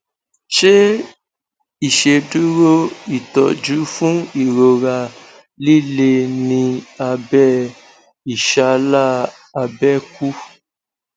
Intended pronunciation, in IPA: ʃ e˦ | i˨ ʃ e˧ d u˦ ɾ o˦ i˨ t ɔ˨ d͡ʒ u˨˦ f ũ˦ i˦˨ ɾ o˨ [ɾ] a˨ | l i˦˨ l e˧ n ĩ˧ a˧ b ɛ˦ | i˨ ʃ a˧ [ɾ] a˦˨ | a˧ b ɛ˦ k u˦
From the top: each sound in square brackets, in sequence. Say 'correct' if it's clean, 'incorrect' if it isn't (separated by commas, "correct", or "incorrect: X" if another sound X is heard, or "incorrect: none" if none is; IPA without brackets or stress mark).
correct, incorrect: l